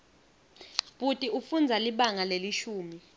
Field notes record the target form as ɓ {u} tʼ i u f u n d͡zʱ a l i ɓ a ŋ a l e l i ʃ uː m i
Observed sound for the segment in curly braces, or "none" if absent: u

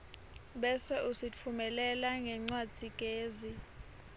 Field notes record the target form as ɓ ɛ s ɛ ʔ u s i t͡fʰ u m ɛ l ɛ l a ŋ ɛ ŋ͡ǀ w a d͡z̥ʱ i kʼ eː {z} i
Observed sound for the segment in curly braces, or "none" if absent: z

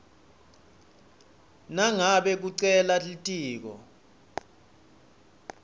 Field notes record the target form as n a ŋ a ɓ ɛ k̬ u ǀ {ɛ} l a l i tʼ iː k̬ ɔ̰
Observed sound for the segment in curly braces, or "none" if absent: ɛ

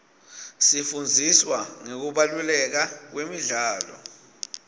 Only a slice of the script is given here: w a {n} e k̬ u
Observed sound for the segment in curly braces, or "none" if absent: ŋ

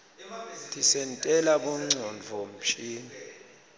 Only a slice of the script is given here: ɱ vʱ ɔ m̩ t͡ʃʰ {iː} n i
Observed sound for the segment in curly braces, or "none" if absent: iː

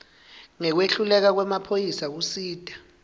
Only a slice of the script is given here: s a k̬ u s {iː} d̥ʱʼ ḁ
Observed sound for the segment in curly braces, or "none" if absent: iː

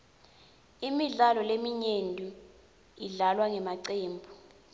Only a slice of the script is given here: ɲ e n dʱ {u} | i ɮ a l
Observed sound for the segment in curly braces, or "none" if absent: u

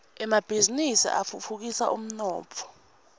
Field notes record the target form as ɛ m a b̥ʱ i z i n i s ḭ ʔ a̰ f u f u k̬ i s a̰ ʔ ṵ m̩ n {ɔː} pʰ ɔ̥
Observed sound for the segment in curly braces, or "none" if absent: ɔː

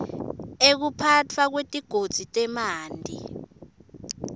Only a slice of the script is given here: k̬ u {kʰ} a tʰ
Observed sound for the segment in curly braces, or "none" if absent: pʰ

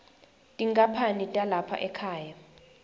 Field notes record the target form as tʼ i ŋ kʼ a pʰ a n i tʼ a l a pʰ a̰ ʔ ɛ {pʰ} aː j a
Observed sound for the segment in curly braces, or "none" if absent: kʰ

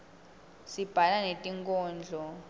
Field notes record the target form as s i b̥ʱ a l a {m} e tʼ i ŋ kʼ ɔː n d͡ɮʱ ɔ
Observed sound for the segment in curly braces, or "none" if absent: n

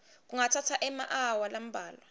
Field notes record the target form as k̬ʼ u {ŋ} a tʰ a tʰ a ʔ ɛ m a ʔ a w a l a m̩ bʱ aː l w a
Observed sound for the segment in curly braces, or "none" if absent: ŋ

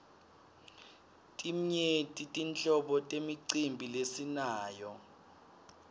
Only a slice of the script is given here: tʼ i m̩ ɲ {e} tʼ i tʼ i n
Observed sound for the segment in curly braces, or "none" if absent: e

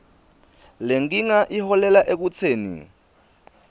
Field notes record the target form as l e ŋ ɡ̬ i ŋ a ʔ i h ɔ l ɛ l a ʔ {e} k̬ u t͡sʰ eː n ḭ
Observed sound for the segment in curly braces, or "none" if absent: e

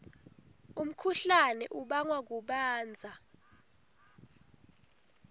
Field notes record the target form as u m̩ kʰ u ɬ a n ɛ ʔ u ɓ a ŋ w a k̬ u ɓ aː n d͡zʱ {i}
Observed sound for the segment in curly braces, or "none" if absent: a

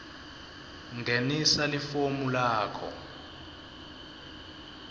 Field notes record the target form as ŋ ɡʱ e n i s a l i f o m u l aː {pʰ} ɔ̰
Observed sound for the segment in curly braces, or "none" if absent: kʰ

